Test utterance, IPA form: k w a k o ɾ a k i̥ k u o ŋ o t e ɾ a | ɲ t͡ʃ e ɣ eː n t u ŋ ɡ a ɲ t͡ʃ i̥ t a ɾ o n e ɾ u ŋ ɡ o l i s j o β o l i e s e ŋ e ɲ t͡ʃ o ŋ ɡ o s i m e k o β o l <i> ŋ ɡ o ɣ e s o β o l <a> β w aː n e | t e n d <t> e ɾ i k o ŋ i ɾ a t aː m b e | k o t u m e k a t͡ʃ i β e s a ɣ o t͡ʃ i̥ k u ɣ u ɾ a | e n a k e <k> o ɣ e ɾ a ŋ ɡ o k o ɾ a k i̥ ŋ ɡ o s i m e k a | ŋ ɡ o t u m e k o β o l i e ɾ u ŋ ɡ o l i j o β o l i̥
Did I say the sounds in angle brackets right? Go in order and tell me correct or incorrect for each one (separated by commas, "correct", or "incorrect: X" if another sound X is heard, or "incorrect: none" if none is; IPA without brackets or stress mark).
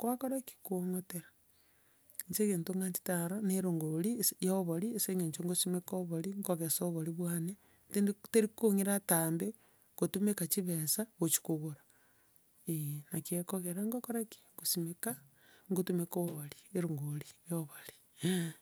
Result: correct, incorrect: i, correct, correct